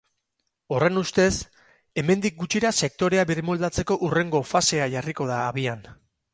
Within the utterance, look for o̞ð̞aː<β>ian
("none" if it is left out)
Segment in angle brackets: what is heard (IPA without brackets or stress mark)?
β